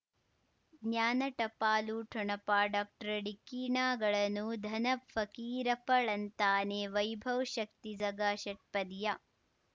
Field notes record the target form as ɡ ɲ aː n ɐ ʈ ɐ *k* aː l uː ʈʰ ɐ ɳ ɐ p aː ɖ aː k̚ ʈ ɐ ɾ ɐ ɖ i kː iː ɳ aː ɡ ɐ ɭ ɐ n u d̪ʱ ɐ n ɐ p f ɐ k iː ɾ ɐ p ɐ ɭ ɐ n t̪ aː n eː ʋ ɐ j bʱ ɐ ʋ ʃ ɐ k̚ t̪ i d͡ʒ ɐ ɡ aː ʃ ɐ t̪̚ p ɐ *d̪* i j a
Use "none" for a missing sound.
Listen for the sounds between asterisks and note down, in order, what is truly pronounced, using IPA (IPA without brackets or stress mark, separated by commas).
p, d̪